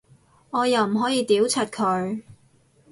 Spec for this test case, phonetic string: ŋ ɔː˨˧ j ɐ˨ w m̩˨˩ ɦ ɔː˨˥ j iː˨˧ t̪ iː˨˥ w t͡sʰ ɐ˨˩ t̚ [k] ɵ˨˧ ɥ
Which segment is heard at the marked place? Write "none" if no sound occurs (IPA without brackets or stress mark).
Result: kʰ